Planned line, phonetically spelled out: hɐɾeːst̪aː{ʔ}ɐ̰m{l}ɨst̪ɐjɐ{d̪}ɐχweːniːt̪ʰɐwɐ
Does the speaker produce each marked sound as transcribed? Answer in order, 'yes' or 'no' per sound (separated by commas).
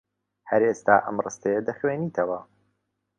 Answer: yes, no, yes